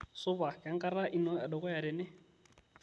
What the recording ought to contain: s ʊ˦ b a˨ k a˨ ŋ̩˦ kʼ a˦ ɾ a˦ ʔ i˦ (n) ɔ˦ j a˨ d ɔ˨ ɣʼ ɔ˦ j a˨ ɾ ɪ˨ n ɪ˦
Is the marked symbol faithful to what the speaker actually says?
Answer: yes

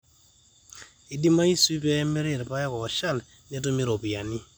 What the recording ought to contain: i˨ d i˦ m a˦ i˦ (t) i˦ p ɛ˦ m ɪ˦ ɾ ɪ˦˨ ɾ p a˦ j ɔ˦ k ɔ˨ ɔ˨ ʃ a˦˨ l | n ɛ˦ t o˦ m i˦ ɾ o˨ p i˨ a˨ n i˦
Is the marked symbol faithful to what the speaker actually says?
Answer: no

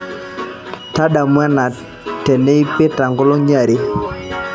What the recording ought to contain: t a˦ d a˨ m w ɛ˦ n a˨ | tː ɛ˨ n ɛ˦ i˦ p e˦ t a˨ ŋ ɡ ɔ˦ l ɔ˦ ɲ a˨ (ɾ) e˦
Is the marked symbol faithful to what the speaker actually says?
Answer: yes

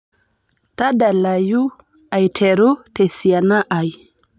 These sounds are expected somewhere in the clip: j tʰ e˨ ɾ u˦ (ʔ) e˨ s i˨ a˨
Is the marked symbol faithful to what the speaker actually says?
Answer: no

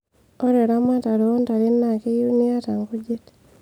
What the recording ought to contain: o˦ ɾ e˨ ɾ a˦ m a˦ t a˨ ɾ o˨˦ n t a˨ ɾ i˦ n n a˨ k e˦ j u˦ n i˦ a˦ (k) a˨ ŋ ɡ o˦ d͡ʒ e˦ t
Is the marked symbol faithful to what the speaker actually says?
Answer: no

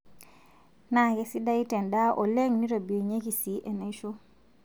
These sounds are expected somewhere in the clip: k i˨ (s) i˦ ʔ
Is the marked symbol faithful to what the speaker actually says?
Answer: yes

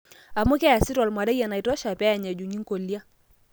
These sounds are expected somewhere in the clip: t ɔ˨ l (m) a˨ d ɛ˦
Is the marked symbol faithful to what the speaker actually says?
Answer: yes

